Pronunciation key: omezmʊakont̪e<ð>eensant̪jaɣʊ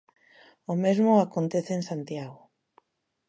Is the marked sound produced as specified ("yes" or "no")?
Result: no